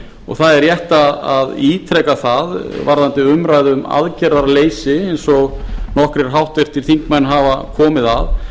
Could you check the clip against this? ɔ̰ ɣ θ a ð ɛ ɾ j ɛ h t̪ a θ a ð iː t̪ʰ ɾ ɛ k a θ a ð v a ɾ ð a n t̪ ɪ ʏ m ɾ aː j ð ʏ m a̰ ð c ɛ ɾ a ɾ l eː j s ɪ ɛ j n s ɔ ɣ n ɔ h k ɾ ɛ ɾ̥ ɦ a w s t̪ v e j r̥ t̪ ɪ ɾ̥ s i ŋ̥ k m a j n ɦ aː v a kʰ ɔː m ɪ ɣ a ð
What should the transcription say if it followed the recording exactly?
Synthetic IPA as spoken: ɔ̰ ɣ θ a ð ɛ ɾ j ɛ h t̪ a ð a ð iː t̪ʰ ɾ ɛ k a θ a ð v a ɾ ð a n t̪ ɪ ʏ m ɾ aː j ð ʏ m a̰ ð c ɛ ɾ a ɾ l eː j s ɪ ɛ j n s ɔ ɣ n ɔ h k ɾ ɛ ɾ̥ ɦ a w h t̪ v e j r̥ t̪ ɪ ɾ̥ θ i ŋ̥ k m a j n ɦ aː v a kʰ ɔː m ɪ ð a ð